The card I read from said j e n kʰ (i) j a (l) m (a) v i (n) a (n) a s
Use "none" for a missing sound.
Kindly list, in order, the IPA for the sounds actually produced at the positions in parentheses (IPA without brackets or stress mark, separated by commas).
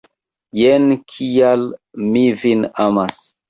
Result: i, l, i, n, m